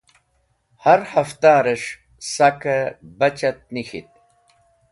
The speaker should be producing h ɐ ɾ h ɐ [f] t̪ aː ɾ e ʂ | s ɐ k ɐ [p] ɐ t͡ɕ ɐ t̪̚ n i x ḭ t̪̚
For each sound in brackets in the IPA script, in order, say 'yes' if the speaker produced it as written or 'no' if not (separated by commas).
yes, no